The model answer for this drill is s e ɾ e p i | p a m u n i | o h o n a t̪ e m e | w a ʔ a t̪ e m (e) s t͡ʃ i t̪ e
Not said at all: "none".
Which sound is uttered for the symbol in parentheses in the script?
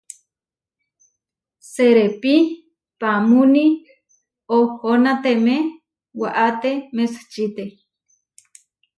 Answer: e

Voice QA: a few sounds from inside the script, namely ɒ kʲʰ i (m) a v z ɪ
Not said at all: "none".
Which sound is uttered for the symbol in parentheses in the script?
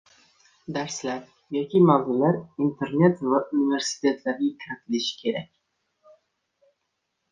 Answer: m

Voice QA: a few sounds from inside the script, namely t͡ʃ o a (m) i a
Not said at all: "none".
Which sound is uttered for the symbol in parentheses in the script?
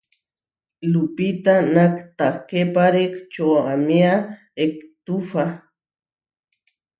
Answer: m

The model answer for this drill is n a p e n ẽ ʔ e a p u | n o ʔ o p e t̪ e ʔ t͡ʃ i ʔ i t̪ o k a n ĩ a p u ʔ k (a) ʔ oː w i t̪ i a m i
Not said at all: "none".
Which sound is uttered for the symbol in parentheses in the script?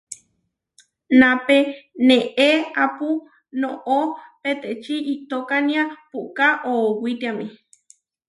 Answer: a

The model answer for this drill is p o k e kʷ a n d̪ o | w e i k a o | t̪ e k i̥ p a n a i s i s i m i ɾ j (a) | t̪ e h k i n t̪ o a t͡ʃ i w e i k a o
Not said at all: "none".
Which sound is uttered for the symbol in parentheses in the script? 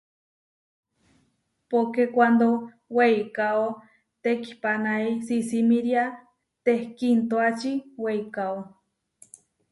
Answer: a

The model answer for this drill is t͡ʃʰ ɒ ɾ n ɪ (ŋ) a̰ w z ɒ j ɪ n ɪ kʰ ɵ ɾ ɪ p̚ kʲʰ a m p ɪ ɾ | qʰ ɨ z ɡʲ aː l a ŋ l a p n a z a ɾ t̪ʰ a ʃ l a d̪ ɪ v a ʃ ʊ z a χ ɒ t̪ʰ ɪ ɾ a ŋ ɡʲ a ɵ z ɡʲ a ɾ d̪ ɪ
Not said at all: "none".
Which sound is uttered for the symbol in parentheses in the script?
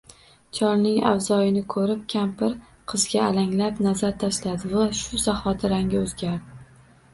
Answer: ŋ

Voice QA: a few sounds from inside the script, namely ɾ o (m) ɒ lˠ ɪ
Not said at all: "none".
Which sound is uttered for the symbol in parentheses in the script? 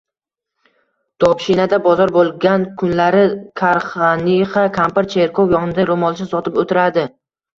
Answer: m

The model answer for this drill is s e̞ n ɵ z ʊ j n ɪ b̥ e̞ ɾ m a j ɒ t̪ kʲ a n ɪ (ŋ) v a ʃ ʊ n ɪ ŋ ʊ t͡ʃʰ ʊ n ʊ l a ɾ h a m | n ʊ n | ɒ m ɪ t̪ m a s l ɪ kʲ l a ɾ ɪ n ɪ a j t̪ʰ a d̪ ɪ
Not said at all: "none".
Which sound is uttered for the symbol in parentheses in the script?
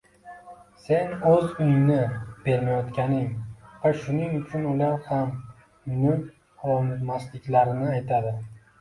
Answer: ŋ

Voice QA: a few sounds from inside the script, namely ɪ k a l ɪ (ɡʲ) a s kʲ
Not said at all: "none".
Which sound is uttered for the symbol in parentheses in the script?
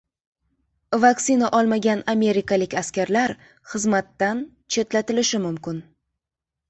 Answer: kʲ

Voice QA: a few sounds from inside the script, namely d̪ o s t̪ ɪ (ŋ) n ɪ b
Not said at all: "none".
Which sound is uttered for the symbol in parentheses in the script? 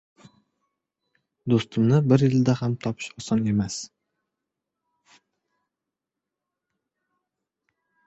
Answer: m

